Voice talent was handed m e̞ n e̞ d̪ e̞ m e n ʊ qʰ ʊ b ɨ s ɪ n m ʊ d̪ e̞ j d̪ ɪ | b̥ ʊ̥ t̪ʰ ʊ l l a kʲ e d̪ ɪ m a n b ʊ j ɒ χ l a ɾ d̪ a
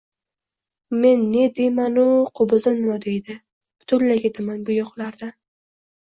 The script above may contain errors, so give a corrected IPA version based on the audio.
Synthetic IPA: m e̞ nː e̞ d̪ e̞ m a n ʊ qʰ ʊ b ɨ z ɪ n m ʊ d̪ e̞ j d̪ ɪ | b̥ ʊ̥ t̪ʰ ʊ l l a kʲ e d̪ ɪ m a n b ʊ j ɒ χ l a ɾ d̪ a